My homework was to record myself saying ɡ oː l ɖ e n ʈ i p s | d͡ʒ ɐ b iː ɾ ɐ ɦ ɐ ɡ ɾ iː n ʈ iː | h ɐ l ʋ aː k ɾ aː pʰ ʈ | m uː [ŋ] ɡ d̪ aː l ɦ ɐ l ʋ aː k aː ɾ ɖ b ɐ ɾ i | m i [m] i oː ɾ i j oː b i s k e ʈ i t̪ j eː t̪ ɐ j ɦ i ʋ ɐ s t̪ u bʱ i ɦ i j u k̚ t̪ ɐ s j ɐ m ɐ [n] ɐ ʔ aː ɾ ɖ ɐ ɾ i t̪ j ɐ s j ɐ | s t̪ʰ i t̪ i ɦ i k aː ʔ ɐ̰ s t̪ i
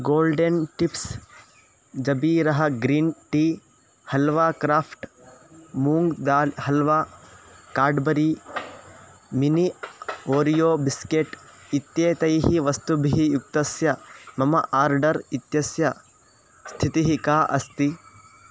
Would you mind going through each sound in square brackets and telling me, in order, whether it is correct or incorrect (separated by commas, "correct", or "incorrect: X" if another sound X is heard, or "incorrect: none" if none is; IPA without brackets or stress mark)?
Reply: correct, incorrect: n, incorrect: m